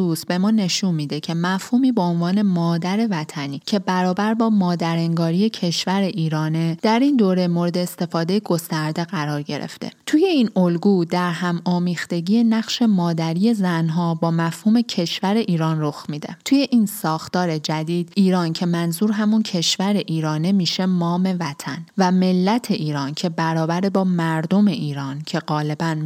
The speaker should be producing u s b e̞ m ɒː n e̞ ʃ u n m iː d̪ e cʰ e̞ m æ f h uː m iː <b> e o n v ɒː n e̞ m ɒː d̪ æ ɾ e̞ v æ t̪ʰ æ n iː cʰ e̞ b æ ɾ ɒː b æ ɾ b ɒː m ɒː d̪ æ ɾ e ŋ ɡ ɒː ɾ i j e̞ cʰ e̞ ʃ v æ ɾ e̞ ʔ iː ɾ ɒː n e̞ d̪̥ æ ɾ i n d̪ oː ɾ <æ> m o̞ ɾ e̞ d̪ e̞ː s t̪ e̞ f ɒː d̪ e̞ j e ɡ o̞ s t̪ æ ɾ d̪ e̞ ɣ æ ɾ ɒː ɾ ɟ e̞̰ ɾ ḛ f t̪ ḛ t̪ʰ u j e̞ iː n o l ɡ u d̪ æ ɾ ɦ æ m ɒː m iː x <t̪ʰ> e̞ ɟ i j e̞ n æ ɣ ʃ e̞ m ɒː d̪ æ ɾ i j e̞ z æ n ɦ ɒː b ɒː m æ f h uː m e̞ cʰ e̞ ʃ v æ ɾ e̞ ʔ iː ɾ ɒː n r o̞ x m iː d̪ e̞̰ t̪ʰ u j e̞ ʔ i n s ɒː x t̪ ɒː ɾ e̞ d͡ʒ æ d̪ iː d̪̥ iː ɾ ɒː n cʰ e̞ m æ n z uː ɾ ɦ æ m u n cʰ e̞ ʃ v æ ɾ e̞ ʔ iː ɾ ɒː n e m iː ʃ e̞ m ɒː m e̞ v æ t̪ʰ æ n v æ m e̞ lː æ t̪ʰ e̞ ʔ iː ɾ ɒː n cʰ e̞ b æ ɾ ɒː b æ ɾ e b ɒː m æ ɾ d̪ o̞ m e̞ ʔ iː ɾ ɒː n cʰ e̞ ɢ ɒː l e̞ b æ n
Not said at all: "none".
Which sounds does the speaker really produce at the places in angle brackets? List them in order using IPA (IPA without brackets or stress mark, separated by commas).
b, e, t̪